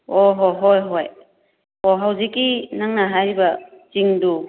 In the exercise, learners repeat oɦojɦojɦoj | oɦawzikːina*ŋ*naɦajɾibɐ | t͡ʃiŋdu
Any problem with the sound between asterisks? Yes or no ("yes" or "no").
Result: no